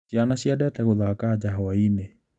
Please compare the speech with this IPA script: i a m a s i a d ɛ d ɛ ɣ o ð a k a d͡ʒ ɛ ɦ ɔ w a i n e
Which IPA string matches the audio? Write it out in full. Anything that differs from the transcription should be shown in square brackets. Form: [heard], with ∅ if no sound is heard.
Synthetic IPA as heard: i a [n] a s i a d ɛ [t] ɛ ɣ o ð a k a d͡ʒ [a] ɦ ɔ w a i n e

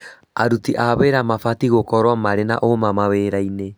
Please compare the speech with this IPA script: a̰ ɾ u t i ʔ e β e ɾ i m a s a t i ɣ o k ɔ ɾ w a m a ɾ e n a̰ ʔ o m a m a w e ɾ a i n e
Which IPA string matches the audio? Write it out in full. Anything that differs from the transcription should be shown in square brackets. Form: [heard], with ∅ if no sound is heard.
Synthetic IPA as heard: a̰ ɾ u t i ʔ [a] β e ɾ [a] m a [f] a t i ɣ o k ɔ ɾ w a m a ɾ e n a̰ ʔ o m a m a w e ɾ a i n e

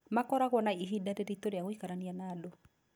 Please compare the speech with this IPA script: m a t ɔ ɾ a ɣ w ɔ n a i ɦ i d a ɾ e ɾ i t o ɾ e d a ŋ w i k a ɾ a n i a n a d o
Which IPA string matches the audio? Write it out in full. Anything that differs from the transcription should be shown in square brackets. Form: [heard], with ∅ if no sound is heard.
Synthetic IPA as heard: m a [k] ɔ ɾ a ɣ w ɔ n a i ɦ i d a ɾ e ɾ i t o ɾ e [∅] a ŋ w i k a ɾ a n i a n a d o

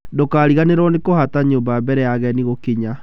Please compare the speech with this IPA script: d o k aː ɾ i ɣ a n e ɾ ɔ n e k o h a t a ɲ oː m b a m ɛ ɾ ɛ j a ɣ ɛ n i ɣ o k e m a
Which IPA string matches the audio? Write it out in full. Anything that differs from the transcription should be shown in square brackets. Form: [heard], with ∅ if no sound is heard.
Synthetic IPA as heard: d o k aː ɾ i ɣ a n e ɾ ɔ n e k o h a t a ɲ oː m b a [b] ɛ ɾ ɛ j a ɣ ɛ n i ɣ o k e [ɲ] a

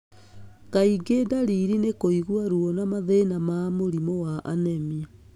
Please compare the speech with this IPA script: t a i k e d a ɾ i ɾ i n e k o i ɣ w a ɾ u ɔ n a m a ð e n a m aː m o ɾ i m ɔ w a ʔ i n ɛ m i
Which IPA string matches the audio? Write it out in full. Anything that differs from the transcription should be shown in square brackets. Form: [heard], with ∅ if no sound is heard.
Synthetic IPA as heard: [k] a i [ɡ] e d a ɾ i ɾ i n e k o i ɣ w a ɾ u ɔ n a m a ð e n a m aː m o ɾ i m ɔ w a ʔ [a] n ɛ m i

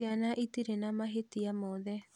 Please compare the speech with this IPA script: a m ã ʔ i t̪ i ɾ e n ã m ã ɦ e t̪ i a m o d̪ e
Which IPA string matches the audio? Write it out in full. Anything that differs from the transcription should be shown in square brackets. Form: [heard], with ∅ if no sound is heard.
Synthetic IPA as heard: a [n] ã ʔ i t̪ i ɾ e n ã m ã ɦ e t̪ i a m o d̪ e

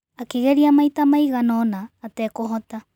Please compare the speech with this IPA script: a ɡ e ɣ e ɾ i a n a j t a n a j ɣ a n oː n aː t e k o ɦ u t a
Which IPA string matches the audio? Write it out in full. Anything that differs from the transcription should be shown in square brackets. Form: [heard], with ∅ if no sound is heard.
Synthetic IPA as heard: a [k] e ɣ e ɾ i a [m] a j t a [m] a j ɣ a n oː n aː t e k o ɦ [o] t a

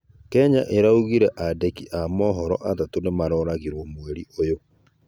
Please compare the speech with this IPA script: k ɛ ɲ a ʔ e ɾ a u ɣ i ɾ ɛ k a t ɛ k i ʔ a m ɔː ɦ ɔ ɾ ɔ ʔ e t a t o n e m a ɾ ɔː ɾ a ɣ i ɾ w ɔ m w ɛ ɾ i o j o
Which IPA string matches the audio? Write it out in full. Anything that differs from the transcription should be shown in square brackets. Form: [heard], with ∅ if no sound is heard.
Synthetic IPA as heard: k ɛ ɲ a ʔ e ɾ a u ɣ i ɾ ɛ [ʔ] a [d] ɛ k i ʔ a m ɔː ɦ ɔ ɾ ɔ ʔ [a] t a t o n e m a ɾ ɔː ɾ a ɣ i ɾ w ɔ m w ɛ ɾ i o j o

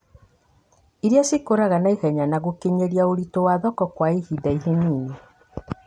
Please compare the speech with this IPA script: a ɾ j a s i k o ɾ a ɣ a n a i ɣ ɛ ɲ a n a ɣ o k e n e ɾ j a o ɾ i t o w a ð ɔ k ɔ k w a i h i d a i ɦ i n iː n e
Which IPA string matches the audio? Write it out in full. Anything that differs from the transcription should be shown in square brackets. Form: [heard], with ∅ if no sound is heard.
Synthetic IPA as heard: [i] ɾ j a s i k o ɾ a ɣ a n a i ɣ ɛ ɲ a n a ɣ o k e [ɲ] e ɾ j a o ɾ i t o w a ð ɔ k ɔ k w a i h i d a i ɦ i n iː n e

